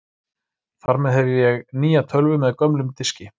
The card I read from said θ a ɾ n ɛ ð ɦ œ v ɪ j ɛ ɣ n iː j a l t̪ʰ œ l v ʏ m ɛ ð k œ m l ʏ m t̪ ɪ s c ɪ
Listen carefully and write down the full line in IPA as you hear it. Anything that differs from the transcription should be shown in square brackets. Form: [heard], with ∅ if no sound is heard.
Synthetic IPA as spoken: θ a ɾ [m] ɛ ð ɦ [ɛ] v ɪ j ɛ ɣ n iː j a [∅] t̪ʰ œ l v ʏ m ɛ ð k œ m l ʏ m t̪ ɪ s c ɪ